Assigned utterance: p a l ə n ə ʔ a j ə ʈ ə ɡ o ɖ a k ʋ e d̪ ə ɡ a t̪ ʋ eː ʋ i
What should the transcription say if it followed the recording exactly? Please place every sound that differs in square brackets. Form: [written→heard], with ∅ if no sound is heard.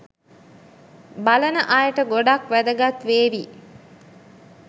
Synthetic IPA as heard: [p→b] a l ə n ə ʔ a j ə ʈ ə ɡ o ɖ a k ʋ [e→æ] d̪ ə ɡ a t̪ ʋ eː ʋ i